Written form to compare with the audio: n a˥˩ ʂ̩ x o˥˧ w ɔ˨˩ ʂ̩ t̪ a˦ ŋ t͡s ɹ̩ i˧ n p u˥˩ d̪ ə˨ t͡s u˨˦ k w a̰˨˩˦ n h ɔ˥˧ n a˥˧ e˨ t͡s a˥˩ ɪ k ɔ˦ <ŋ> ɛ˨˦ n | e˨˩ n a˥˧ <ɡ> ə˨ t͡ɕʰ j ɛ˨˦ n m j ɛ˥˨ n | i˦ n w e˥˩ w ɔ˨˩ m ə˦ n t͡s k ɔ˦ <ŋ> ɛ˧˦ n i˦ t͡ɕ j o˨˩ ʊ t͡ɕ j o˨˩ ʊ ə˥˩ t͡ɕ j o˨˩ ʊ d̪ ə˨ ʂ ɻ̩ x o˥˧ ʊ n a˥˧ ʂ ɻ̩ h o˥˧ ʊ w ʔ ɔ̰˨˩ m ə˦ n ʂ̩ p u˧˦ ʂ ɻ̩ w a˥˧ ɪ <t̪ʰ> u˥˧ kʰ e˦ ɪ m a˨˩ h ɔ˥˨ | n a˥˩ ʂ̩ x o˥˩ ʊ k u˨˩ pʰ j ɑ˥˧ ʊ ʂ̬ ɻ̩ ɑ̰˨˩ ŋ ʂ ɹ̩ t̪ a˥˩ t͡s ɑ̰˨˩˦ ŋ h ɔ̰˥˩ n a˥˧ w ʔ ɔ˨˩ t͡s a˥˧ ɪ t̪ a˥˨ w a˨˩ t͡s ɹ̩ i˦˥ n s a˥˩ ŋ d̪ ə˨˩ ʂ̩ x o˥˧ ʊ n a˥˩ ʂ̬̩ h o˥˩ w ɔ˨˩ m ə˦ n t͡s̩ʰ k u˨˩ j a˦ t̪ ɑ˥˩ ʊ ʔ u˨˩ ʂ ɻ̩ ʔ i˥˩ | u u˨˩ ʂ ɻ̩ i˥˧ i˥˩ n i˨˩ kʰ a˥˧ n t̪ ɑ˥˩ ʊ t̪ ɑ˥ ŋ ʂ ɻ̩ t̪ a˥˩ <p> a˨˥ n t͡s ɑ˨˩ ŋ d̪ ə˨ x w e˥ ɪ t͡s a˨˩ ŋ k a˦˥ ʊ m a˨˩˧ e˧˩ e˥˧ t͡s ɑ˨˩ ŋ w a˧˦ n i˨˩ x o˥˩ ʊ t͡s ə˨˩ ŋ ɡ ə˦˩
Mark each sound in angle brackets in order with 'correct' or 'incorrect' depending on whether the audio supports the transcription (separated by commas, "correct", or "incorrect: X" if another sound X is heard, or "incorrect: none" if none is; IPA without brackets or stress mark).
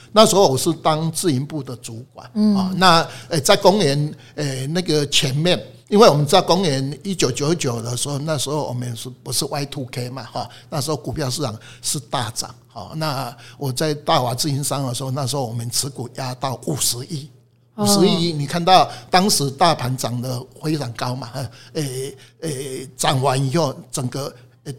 correct, correct, correct, correct, incorrect: pʰ